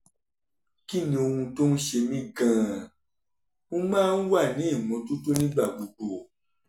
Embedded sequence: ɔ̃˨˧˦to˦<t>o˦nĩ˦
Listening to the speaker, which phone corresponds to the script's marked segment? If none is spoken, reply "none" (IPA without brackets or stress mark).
t